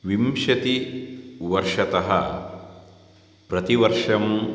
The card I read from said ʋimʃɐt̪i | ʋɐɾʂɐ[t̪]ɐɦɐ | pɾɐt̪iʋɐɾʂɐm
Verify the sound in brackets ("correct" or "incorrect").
correct